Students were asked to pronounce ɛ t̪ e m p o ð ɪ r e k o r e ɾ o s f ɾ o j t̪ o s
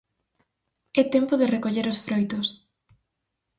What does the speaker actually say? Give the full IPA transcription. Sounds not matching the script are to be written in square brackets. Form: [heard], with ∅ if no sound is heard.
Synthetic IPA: ɛ t̪ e m p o ð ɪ r e k o [ʎ] e ɾ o s f ɾ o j t̪ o s

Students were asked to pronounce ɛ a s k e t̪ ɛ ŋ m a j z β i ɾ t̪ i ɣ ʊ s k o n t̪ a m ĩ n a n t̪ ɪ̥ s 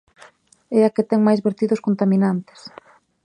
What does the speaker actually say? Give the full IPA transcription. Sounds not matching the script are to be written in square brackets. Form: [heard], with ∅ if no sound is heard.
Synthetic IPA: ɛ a [∅] k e t̪ ɛ ŋ m a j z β [e] ɾ t̪ i [ð] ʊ s k o n t̪ a m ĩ n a n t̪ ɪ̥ s

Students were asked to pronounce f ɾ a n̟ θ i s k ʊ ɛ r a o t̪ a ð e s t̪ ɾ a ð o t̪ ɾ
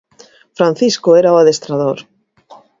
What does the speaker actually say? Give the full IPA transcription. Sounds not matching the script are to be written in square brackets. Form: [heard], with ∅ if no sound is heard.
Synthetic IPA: f ɾ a n̟ θ i s k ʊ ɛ [ɾ] a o [∅] a ð e s t̪ ɾ a ð o [∅] ɾ

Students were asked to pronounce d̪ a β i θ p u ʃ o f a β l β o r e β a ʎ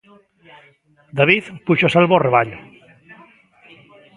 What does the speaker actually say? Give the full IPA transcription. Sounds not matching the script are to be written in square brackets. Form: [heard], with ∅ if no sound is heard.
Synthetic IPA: d̪ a β i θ p u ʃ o [s] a [∅] l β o r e β a ʎ

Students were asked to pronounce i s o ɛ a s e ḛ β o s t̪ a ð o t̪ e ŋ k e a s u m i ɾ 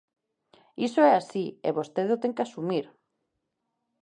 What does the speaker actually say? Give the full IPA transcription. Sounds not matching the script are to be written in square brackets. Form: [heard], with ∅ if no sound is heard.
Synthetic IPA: i s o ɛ a s [i] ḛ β o s t̪ [e] ð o t̪ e ŋ k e a s u m i ɾ

